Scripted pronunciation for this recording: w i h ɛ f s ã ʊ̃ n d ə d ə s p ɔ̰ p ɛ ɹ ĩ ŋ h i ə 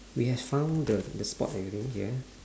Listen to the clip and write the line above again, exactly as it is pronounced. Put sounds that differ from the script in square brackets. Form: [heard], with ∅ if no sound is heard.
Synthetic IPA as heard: w i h ɛ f [f] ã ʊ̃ n d ə d ə s p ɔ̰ [t] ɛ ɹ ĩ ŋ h i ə